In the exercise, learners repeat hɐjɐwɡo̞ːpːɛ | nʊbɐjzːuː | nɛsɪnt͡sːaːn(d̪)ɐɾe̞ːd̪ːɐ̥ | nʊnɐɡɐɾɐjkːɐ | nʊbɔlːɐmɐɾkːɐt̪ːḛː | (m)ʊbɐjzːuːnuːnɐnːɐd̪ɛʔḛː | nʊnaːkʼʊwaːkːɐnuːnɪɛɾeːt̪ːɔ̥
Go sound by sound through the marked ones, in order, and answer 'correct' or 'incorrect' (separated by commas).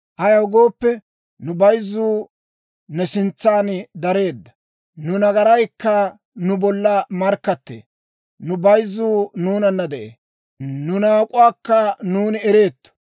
correct, incorrect